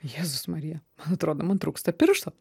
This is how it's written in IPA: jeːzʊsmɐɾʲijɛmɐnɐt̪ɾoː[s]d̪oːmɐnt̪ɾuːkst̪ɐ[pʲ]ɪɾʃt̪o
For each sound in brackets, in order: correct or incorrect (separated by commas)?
incorrect, correct